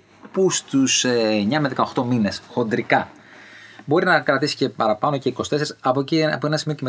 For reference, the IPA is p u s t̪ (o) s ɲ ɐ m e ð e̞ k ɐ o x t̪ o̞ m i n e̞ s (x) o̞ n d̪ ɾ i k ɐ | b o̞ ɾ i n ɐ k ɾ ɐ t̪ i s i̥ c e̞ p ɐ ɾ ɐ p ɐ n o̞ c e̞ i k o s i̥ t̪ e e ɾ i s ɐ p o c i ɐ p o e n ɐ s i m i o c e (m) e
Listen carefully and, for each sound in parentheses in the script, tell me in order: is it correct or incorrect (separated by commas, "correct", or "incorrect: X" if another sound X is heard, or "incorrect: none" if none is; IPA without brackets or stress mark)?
incorrect: u, correct, correct